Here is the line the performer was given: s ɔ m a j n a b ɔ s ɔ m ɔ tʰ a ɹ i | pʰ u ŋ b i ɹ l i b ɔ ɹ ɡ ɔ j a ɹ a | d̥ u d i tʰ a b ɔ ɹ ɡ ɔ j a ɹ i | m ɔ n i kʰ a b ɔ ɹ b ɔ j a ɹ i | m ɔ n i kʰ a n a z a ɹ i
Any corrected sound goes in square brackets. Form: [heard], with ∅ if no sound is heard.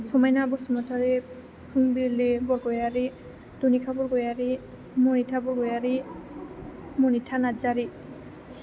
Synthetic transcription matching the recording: s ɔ m a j n a b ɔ s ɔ m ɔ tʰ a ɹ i | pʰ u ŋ b i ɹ l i b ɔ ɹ ɡ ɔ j a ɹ [i] | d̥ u [n] i [kʰ] a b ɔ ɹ ɡ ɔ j a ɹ i | m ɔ n i [tʰ] a b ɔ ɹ [ɡ] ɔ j a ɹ i | m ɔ n i [tʰ] a n a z a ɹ i

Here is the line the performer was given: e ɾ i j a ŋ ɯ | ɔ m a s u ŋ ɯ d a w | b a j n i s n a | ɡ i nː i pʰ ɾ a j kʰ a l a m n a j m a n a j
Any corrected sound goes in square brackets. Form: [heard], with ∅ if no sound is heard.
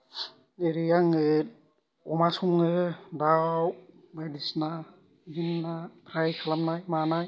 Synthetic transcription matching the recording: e ɾ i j a ŋ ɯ | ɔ m a s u ŋ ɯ d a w | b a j [d] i s n a | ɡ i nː [a] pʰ ɾ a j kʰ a l a m n a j m a n a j

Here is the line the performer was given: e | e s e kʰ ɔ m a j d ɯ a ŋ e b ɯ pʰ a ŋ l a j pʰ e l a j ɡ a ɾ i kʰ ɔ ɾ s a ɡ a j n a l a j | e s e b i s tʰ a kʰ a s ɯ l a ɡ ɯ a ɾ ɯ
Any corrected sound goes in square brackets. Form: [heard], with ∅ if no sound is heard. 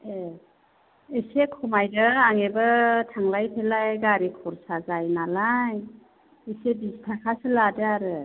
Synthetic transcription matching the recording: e | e s e kʰ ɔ m a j d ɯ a ŋ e b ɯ [tʰ] a ŋ l a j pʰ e l a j ɡ a ɾ i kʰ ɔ ɾ s a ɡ a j n a l a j | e s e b i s tʰ a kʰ a s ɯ l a [d] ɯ a ɾ ɯ

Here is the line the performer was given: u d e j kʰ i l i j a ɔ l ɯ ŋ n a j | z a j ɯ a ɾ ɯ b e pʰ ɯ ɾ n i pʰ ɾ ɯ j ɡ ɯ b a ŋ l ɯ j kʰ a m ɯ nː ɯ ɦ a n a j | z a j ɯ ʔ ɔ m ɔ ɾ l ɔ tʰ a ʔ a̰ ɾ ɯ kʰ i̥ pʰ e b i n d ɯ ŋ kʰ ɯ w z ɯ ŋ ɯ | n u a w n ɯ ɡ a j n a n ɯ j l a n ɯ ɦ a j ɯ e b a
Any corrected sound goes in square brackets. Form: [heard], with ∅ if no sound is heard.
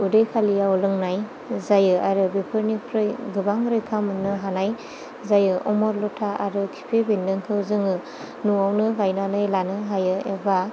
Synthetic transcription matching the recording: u d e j kʰ [a] l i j a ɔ l ɯ ŋ n a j | z a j ɯ a ɾ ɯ b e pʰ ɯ ɾ n i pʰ ɾ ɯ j ɡ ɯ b a ŋ [ɾ] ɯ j kʰ a m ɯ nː ɯ ɦ a n a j | z a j ɯ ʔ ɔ m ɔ ɾ l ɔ tʰ a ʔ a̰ ɾ ɯ kʰ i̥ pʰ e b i n d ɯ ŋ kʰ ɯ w z ɯ ŋ ɯ | n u a w n ɯ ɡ a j n a n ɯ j l a n ɯ ɦ a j ɯ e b a

